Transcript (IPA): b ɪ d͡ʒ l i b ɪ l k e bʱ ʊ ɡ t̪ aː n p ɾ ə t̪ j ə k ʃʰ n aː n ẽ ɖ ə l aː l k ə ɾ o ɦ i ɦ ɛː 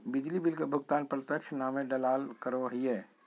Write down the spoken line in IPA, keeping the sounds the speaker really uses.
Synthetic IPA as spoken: b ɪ d͡ʒ l i b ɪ l k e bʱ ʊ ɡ t̪ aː n p ɾ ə t̪ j ə k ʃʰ n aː m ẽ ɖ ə l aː l k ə ɾ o ɦ i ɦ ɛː